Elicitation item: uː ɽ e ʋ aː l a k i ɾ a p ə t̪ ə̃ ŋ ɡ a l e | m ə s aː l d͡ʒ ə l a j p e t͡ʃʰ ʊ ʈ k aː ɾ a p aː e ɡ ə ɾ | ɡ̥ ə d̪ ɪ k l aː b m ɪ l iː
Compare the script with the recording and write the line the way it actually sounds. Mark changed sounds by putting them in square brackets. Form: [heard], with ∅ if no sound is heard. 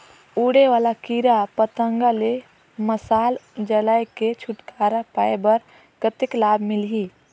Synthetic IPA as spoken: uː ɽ e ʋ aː l a k i ɾ a p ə t̪ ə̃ ŋ ɡ a l e | m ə s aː l d͡ʒ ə l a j [k] e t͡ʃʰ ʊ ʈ k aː ɾ a p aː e [b] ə ɾ | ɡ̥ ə [t̪] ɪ k l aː b m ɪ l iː

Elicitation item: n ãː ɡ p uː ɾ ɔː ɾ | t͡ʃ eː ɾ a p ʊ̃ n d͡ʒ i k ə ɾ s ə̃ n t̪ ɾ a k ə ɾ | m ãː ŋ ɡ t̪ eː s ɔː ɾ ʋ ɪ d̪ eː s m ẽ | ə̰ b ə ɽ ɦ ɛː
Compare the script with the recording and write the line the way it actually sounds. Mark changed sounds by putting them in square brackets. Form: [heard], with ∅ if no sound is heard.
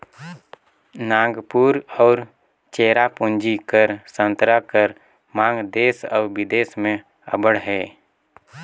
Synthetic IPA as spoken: n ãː ɡ p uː ɾ ɔː ɾ | t͡ʃ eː ɾ a p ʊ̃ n d͡ʒ i k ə ɾ s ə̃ n t̪ ɾ a k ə ɾ | m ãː ŋ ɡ [d̪] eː s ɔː ɾ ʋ ɪ d̪ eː s m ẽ | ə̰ b ə ɽ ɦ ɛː

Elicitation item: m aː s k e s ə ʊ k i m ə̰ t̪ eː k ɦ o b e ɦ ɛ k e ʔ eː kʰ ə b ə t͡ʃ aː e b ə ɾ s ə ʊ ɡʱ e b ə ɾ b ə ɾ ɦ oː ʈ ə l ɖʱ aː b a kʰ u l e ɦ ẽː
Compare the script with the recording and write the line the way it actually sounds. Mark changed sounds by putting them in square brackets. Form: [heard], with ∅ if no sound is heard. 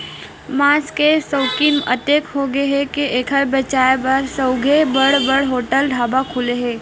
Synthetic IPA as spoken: m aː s k e s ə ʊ k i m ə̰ t̪ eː k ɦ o [ɡ] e ɦ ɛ k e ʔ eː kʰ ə b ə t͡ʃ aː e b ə ɾ s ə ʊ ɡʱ e b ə [ɽ] b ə [ɽ] ɦ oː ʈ ə l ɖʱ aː b a kʰ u l e ɦ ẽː

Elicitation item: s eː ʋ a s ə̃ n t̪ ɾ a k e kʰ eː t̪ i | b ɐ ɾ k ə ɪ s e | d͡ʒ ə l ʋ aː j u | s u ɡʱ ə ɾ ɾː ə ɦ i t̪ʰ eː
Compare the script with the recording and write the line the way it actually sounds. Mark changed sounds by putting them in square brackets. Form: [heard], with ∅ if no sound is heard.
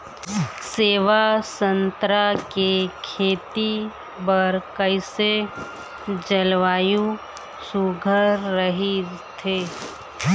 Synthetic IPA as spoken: s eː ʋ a s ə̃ n t̪ ɾ a k e kʰ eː t̪ i | b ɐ ɾ k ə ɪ s e | d͡ʒ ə l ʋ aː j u | s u ɡʱ ə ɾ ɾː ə ɦ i t̪ʰ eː

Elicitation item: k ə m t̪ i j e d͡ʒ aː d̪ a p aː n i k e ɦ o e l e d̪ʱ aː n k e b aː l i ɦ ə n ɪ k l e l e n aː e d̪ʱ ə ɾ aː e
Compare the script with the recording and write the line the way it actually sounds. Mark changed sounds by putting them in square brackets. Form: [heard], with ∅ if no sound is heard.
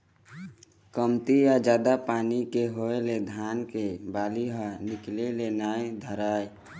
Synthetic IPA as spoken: k ə m t̪ i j [a] d͡ʒ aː d̪ a p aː n i k e ɦ o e l e d̪ʱ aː n k e b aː l i ɦ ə n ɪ k l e l e n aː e d̪ʱ ə ɾ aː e

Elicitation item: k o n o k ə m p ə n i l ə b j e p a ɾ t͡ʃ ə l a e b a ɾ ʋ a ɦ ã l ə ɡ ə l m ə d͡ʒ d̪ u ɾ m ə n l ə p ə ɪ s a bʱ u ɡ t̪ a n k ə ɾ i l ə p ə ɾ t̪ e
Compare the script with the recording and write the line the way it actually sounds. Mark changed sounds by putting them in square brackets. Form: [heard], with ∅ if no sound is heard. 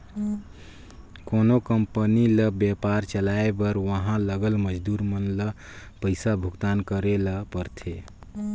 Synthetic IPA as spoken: k o n o k ə m p ə n i l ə b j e p a ɾ t͡ʃ ə l a e b [ə] ɾ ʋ [ə] ɦ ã l ə ɡ ə l m ə d͡ʒ d̪ u ɾ m ə n l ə p ə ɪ s a bʱ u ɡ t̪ a n k ə ɾ [e] l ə p ə ɾ [t̪ʰ] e

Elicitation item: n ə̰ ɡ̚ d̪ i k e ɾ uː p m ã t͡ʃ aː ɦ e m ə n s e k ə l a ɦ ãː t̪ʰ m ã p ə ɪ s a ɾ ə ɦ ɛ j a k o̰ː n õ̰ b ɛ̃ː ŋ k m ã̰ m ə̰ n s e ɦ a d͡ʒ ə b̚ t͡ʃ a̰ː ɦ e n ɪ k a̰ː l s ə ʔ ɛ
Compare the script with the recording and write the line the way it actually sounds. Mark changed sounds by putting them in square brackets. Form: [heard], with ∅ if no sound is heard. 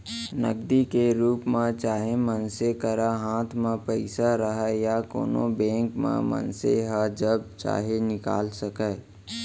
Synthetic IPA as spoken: n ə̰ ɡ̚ d̪ i k e ɾ uː p m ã t͡ʃ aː ɦ e m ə n s e k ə [ɾ] a ɦ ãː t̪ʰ m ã p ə ɪ s a ɾ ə ɦ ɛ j a k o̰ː n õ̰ b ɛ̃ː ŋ k m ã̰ m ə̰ n s e ɦ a d͡ʒ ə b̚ t͡ʃ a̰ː ɦ e n ɪ k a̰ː l s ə [k] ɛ

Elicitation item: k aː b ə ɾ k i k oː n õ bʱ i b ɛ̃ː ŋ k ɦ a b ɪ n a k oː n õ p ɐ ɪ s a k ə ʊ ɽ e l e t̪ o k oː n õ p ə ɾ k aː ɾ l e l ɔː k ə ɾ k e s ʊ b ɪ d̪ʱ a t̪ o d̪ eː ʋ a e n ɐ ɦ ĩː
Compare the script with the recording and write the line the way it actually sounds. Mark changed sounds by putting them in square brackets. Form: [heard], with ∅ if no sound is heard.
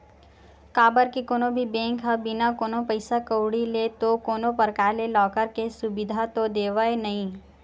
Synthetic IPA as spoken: k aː b ə ɾ k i k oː n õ bʱ i b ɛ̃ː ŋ k ɦ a b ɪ n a k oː n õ p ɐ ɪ s a k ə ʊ ɽ [i] l e t̪ o k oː n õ p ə ɾ k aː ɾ l e l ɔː k ə ɾ k e s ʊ b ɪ d̪ʱ a t̪ o d̪ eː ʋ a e n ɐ ɦ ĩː

